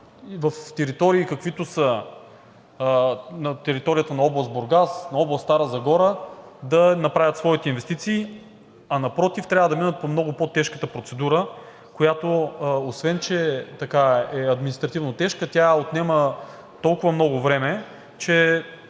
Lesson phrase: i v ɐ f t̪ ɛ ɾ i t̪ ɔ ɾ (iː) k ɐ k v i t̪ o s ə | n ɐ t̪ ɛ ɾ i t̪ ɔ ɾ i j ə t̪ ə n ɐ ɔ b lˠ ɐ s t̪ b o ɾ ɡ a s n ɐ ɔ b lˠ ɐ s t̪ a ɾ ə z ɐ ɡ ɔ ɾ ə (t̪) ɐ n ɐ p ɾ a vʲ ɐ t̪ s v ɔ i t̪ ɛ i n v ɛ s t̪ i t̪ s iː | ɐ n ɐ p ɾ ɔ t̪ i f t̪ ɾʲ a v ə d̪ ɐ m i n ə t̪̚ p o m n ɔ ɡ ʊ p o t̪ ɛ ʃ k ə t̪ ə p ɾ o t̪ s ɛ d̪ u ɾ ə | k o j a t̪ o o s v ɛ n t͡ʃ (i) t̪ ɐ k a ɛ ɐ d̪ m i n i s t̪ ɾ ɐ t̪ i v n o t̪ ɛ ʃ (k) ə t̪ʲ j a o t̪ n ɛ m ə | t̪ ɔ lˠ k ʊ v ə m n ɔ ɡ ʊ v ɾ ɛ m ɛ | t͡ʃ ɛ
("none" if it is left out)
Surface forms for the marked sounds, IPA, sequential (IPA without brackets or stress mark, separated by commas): iː, d̪, ɛ, k